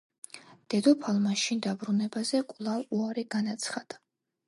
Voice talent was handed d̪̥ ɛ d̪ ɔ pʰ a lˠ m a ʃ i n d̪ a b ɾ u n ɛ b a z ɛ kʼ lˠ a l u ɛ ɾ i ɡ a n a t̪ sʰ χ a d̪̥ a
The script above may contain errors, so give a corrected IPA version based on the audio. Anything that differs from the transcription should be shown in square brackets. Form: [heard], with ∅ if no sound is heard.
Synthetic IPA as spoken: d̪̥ ɛ d̪ ɔ pʰ a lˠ m a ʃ i n d̪ a b ɾ u n ɛ b a z ɛ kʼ lˠ a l u [a] ɾ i ɡ a n a t̪ sʰ χ a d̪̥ a